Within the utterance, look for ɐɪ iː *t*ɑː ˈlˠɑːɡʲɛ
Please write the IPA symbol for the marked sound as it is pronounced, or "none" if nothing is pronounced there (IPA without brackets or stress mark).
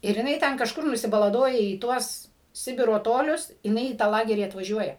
t